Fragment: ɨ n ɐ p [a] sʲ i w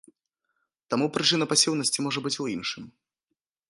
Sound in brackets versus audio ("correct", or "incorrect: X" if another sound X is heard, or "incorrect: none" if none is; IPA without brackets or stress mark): correct